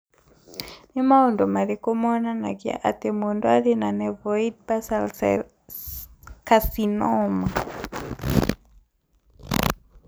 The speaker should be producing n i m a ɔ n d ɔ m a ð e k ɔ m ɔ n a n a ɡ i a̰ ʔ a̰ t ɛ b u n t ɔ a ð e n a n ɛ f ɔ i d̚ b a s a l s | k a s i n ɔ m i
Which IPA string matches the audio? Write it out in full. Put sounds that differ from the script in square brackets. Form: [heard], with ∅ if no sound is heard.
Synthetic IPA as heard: n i m a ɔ n d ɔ m a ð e k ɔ m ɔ n a n a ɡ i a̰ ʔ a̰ t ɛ [m] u n [d] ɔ a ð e n a n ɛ [v] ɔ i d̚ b a s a l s | k a s i n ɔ m [a]